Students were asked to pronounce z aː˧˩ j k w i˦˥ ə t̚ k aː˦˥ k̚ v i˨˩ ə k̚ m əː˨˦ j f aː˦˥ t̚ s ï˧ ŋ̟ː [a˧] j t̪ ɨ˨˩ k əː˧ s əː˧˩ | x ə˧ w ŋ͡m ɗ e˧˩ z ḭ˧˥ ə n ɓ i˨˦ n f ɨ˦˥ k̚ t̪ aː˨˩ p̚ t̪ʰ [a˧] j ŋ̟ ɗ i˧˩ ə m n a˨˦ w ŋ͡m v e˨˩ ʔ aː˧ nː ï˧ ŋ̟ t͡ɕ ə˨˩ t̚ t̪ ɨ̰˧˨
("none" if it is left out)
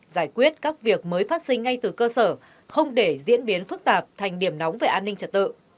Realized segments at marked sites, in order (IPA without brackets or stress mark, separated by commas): a˧, a˨˩